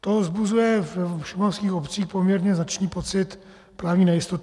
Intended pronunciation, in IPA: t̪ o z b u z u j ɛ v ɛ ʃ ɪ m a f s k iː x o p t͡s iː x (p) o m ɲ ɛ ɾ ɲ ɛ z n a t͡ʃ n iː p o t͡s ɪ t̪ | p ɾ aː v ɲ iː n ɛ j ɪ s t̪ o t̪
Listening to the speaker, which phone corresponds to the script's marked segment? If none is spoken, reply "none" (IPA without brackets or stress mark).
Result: p